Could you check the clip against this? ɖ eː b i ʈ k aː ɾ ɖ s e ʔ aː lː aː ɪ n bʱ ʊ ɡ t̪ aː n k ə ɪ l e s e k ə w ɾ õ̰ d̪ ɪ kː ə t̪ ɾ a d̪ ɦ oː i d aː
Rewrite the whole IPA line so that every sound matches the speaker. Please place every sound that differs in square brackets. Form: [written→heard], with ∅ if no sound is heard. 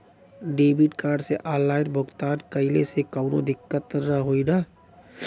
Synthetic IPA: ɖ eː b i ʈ k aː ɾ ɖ s e ʔ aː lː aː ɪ n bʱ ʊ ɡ t̪ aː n k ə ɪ l e s e k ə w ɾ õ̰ d̪ ɪ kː ə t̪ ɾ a [d̪→∅] ɦ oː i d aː